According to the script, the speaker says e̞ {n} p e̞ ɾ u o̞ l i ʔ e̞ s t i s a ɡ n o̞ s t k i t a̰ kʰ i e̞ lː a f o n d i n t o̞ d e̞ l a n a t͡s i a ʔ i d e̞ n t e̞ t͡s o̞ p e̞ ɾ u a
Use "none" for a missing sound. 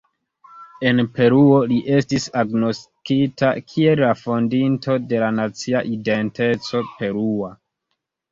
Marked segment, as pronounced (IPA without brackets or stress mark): n